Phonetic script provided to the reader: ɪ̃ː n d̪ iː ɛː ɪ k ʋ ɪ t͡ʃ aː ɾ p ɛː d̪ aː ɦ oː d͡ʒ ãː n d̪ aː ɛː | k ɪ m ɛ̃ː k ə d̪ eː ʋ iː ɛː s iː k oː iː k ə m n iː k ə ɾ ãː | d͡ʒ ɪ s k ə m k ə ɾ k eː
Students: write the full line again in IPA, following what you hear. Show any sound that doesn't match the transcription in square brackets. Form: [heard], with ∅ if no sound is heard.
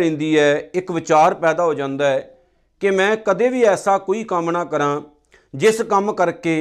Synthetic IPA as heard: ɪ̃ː n d̪ iː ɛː ɪ k ʋ ɪ t͡ʃ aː ɾ p ɛː d̪ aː ɦ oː d͡ʒ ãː n d̪ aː ɛː | k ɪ m ɛ̃ː k ə d̪ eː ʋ iː ɛː s [aː] k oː iː k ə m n [aː] k ə ɾ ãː | d͡ʒ ɪ s k ə m k ə ɾ k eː